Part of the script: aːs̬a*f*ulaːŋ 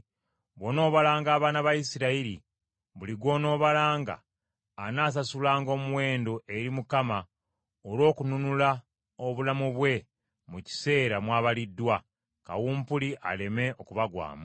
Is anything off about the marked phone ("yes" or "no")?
yes